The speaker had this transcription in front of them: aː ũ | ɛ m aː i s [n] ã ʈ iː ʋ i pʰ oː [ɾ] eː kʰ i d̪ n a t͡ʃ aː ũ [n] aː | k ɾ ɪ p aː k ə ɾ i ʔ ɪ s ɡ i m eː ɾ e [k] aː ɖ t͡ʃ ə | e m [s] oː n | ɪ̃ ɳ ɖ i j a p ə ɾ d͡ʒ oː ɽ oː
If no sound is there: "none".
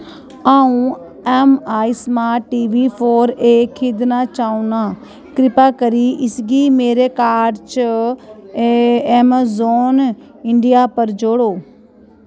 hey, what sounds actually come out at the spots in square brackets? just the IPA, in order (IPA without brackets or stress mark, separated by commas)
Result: m, ɾ, n, k, z